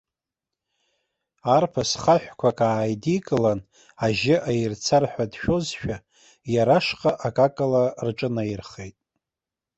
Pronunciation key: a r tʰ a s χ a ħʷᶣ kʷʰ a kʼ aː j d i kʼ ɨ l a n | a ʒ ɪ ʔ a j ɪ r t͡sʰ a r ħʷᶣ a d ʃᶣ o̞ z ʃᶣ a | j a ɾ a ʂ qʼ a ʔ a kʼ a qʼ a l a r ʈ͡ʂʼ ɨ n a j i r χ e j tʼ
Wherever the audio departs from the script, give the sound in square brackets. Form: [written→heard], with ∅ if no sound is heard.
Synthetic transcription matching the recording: a r [tʰ→pʰ] a s χ a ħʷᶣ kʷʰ a kʼ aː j d i kʼ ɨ l a n | a ʒ ɪ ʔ a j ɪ r t͡sʰ a r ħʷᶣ a d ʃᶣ o̞ z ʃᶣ a | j a ɾ a ʂ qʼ a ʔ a kʼ a [qʼ→kʼ] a l a r ʈ͡ʂʼ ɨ n a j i r χ e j tʼ